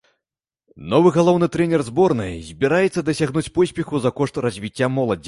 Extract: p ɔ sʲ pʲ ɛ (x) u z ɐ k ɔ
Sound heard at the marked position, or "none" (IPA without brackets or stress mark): x